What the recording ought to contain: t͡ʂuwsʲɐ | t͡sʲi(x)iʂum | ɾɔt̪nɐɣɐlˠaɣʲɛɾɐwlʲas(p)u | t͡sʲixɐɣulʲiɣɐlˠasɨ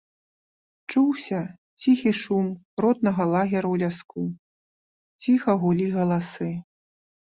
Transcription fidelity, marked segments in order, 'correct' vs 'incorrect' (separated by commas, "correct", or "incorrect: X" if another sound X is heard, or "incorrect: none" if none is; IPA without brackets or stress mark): correct, incorrect: k